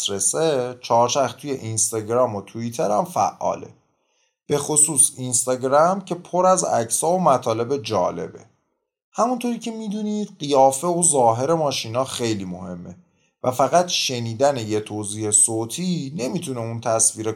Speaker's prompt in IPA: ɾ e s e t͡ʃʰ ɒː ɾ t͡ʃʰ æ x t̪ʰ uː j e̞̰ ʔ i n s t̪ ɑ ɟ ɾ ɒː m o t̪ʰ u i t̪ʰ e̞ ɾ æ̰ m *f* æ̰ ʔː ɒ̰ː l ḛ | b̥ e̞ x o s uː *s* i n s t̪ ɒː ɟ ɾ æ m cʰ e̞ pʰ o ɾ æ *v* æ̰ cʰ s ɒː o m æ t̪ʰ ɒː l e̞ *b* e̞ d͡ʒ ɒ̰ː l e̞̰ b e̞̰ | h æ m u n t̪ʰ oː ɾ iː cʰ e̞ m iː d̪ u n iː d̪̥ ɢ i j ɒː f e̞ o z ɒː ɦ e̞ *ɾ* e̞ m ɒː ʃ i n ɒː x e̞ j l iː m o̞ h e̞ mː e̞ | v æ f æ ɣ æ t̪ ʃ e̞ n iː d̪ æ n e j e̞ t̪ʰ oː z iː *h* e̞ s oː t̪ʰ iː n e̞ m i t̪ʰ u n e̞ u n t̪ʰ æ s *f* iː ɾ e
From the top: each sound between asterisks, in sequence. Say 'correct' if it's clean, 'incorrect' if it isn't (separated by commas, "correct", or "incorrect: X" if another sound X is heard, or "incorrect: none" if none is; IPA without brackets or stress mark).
correct, correct, incorrect: z, correct, correct, correct, incorrect: v